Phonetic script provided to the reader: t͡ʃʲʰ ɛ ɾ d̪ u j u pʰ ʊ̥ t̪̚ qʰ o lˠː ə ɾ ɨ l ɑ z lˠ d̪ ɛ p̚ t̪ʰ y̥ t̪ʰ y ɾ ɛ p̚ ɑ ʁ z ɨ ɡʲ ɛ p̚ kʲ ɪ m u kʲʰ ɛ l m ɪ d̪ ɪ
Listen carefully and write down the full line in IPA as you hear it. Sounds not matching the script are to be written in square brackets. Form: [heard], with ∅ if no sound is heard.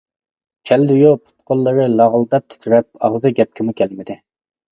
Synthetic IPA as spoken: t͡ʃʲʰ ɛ [l] d̪ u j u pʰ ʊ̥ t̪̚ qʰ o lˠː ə ɾ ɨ l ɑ [ʁ] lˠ d̪ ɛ p̚ t̪ʰ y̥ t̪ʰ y ɾ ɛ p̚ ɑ ʁ z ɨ ɡʲ ɛ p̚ kʲ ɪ m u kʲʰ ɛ l m ɪ d̪ ɪ